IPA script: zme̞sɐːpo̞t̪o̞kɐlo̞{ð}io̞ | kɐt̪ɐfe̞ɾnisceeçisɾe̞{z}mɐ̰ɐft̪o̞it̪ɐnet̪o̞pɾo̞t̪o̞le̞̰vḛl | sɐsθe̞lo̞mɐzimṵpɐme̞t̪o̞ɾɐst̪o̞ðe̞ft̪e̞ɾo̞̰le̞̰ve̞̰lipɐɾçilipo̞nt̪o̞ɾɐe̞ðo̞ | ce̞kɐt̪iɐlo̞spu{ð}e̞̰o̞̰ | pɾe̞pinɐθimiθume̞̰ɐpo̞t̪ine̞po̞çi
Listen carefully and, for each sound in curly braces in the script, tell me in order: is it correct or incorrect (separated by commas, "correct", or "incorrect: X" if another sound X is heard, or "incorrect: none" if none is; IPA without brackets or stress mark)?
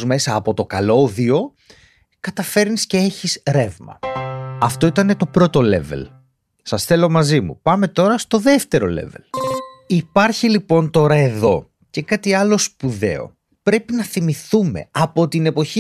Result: correct, incorrect: v, correct